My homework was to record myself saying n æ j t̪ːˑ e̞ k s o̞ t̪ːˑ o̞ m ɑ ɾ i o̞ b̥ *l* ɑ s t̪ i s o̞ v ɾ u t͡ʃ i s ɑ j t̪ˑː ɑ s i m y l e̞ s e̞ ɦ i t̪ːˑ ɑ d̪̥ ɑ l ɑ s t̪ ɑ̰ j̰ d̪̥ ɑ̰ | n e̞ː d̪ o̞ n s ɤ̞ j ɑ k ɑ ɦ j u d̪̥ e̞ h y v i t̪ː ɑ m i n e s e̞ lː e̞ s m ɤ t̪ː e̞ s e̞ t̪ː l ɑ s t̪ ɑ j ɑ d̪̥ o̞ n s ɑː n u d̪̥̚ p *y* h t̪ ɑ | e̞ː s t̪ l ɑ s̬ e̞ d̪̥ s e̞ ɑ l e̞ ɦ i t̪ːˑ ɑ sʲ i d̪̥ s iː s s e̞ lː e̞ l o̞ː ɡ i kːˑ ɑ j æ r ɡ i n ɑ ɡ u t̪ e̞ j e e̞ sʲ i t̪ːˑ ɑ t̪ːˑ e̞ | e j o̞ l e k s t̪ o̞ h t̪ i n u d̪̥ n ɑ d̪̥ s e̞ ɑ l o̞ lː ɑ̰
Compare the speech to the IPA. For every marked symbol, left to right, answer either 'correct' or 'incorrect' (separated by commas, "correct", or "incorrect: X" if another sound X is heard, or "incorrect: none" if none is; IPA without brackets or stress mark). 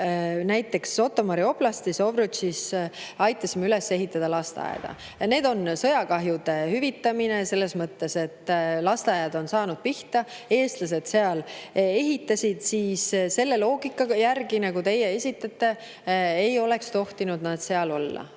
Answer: correct, incorrect: i